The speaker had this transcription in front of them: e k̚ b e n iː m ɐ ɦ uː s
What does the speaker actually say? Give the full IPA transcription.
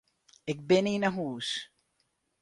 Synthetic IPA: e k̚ b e n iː n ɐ ɦ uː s